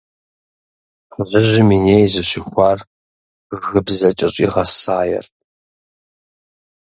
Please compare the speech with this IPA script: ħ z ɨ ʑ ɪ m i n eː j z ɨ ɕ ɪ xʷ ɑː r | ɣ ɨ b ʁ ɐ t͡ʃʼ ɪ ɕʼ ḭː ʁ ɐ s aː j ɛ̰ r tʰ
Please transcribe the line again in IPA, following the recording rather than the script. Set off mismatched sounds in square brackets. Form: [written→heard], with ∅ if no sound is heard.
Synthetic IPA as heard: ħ z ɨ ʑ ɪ m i n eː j z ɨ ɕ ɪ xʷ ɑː r | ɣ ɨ b [ʁ→z] ɐ t͡ʃʼ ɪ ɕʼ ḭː ʁ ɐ s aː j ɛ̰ r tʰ